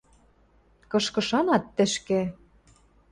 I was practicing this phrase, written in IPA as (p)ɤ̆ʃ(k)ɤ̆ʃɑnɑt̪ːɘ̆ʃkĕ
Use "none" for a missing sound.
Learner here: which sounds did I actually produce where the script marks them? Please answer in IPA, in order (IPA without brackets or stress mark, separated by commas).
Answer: k, k